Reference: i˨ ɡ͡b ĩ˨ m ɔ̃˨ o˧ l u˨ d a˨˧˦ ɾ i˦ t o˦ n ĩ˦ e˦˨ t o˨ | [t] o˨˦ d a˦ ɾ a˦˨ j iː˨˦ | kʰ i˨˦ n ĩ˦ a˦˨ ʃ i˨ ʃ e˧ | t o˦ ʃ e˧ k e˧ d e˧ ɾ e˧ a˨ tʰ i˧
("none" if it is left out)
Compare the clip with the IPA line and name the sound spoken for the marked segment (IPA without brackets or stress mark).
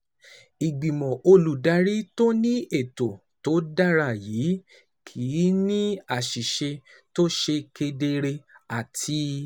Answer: t